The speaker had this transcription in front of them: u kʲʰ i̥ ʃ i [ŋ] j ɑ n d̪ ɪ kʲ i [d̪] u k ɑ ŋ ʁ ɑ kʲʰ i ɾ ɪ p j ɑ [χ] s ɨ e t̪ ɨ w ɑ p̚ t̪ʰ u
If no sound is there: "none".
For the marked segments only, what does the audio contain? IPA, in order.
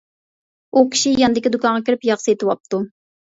none, d̪, χ

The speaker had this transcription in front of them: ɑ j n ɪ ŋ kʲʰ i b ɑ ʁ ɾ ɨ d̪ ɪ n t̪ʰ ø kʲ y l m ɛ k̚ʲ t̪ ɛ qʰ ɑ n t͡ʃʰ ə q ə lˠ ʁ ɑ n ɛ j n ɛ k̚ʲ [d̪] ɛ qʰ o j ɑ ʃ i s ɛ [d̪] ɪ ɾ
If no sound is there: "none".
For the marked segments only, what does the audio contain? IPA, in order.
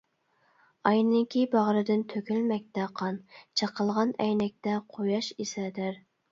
t̪, d̪

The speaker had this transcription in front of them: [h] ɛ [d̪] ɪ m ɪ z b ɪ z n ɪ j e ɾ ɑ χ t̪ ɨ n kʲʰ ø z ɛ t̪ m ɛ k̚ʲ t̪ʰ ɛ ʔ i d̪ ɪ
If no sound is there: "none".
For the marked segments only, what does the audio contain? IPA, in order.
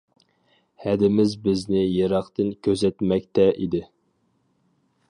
h, d̪

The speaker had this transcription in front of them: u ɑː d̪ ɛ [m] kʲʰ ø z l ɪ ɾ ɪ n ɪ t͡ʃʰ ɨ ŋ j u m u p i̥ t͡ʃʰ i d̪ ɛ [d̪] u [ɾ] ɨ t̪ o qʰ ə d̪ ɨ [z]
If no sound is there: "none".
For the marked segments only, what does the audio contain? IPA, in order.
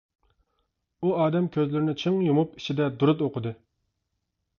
m, d̪, ɾ, none

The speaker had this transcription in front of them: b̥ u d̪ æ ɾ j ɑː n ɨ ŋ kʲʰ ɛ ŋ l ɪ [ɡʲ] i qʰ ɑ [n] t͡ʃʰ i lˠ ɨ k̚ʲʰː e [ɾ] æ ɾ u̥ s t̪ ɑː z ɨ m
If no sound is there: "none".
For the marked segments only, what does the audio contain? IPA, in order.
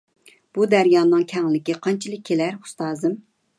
kʲ, n, l

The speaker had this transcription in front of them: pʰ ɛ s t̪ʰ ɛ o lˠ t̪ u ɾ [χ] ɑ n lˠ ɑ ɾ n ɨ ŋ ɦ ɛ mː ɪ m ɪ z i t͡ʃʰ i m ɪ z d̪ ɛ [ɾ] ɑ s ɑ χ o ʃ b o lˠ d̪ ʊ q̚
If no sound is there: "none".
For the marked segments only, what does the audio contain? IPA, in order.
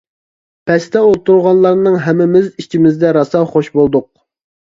ʁ, ɾ

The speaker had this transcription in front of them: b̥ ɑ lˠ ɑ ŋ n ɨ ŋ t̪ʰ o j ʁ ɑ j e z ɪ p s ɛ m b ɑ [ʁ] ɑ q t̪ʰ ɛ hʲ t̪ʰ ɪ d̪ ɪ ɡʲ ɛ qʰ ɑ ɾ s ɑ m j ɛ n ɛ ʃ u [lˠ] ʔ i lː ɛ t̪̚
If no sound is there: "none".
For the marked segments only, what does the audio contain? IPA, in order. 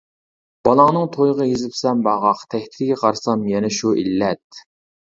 ʁ, none

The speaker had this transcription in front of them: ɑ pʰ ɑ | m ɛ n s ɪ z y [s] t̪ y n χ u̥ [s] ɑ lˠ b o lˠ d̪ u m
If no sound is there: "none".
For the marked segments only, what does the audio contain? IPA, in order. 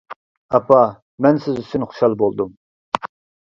s, ʃ

